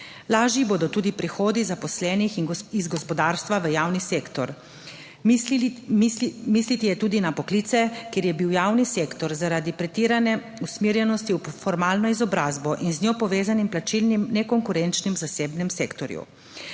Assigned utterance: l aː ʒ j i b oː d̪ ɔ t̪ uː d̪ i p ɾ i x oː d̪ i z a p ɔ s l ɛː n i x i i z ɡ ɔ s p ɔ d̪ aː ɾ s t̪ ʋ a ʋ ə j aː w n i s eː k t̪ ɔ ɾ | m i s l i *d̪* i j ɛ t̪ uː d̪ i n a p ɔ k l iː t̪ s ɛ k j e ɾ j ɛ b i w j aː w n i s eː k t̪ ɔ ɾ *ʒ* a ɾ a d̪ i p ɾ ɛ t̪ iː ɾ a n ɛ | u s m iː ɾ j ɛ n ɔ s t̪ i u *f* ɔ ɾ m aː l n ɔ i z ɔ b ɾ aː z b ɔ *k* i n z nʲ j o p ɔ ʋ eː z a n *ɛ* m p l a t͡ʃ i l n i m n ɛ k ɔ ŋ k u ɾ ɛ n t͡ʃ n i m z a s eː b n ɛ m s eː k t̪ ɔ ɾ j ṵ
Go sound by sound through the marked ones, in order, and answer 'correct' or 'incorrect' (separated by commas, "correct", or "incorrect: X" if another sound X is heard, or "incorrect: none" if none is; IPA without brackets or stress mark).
incorrect: t̪, incorrect: z, correct, incorrect: ʔ, incorrect: i